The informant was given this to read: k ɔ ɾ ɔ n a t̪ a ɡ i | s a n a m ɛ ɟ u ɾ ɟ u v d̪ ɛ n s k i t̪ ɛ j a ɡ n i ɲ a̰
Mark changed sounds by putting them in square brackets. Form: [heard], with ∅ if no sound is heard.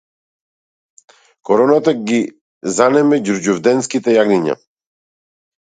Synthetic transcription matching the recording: k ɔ ɾ ɔ n a t̪ a ɡ i | [z] a n [ɛ] m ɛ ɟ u ɾ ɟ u v d̪ ɛ n s k i t̪ ɛ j a ɡ n i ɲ a̰

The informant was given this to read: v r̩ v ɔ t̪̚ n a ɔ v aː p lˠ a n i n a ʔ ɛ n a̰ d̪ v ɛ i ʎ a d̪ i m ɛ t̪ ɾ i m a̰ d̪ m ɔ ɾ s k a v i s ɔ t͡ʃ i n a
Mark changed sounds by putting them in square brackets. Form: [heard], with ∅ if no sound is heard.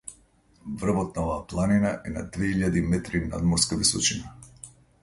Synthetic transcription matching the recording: v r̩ v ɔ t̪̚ n a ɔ v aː p lˠ a n i n a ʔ ɛ n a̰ d̪ v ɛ i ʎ a d̪ i m ɛ t̪ ɾ i [n] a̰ d̪ m ɔ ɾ s k a v i s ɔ t͡ʃ i n a

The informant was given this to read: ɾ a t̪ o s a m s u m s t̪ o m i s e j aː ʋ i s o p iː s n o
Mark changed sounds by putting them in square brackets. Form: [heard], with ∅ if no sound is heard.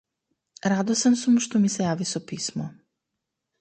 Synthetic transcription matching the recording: ɾ a [d̪] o s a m s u m [ʃ] t̪ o m i s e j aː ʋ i s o p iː s [m] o

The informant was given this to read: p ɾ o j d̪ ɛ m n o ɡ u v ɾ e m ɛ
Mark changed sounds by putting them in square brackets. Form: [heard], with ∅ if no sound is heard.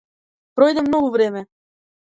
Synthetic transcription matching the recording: p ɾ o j d̪ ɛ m n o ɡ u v ɾ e m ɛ

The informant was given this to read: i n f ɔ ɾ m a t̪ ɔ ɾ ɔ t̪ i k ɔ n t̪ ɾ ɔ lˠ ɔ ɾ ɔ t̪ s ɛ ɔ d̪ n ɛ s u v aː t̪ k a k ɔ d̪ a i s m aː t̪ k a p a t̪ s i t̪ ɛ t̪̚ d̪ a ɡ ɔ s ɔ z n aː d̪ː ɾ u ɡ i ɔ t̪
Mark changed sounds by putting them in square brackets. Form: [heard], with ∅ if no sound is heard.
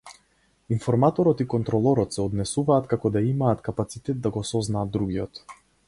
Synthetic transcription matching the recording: i n f ɔ ɾ m a t̪ ɔ ɾ ɔ t̪ i k ɔ n t̪ ɾ ɔ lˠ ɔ ɾ ɔ t̪ s ɛ ɔ d̪ n ɛ s u v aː t̪ k a k ɔ d̪ a i [∅] m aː t̪ k a p a t̪ s i t̪ ɛ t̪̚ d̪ a ɡ ɔ s ɔ z n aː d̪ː ɾ u ɡ i ɔ t̪

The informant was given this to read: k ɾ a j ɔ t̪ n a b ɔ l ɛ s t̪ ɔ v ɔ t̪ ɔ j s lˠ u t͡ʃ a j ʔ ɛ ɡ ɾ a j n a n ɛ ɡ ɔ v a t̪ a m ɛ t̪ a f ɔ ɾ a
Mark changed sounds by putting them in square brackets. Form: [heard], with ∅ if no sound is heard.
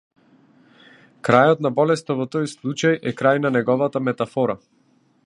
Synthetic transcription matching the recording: k ɾ a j ɔ t̪ n a b ɔ l ɛ s t̪ ɔ v ɔ t̪ ɔ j s lˠ u t͡ʃ a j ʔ ɛ [k] ɾ a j n a n ɛ ɡ ɔ v a t̪ a m ɛ t̪ a f ɔ ɾ a

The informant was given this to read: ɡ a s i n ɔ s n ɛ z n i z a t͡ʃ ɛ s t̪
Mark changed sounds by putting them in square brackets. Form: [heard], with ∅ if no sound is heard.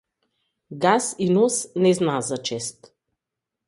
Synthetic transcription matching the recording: ɡ a s i n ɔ s n ɛ z n [a] z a t͡ʃ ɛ s t̪

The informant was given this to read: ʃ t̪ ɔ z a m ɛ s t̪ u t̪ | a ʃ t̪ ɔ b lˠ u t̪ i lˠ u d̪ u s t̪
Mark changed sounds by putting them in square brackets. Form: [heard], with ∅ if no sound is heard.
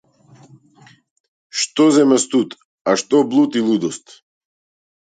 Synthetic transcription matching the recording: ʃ t̪ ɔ z [ɛ] m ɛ s t̪ u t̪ | a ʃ t̪ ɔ b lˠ u t̪ i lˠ u d̪ [ɔ] s t̪

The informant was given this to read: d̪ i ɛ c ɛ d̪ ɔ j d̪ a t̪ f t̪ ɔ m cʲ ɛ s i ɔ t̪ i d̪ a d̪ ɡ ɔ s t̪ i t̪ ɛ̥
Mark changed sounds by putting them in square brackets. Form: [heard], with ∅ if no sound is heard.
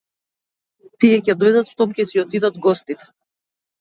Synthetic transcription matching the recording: [t̪] i ɛ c ɛ d̪ ɔ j d̪ a t̪ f t̪ ɔ m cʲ ɛ s i ɔ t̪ i d̪ a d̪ ɡ ɔ s t̪ i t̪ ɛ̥

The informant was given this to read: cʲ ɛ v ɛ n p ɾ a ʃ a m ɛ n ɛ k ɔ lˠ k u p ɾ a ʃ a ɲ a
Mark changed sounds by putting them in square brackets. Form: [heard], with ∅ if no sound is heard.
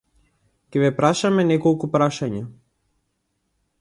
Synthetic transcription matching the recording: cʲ ɛ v ɛ [∅] p ɾ a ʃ a m ɛ n ɛ k ɔ lˠ k u p ɾ a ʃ a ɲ a

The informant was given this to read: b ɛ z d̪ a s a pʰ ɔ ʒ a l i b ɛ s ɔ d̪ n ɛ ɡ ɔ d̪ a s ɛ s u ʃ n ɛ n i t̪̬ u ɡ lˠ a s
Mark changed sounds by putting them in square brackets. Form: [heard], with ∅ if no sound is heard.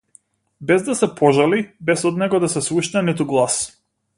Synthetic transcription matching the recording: b ɛ z d̪ a s [ɛ] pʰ ɔ ʒ a l i b ɛ s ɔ d̪ n ɛ ɡ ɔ d̪ a s ɛ s u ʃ n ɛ n i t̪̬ u ɡ lˠ a s

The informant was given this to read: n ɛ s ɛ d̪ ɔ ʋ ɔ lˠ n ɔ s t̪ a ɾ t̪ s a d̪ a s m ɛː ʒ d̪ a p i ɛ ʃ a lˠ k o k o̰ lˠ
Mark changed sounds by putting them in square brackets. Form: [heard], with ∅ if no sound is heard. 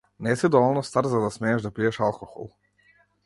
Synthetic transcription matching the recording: n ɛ s [i] d̪ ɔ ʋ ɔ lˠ n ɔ s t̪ a ɾ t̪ [z] a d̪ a s m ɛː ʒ d̪ a p i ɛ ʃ a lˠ k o [x] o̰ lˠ

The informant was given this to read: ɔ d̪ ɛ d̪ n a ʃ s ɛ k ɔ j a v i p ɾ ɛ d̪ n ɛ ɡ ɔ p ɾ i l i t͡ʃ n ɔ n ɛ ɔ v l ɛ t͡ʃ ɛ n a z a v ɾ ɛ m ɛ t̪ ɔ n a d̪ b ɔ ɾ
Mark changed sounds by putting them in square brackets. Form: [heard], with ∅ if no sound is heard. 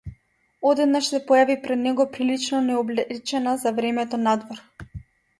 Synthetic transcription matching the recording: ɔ d̪ ɛ d̪ n a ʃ s ɛ [p] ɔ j a v i p ɾ ɛ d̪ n ɛ ɡ ɔ p ɾ i l i t͡ʃ n ɔ n ɛ ɔ [b] l ɛ t͡ʃ ɛ n a z a v ɾ ɛ m ɛ t̪ ɔ n a d̪ [v] ɔ ɾ

